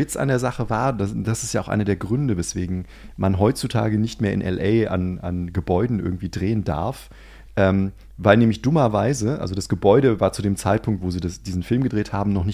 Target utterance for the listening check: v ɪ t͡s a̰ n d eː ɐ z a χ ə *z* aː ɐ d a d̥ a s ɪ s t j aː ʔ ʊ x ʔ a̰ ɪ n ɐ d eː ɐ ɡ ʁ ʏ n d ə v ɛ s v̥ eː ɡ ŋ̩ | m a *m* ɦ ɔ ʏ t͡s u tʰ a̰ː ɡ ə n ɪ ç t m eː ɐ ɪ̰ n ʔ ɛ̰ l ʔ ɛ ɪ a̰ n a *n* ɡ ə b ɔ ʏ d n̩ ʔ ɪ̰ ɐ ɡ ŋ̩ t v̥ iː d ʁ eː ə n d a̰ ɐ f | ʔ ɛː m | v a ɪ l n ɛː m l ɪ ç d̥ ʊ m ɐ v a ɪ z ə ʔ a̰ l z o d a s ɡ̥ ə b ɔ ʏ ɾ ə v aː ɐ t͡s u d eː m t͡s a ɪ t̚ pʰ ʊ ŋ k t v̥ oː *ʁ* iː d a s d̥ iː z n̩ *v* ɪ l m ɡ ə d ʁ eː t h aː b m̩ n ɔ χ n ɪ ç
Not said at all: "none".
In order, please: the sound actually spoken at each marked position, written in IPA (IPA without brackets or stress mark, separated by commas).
v, n, n, z, f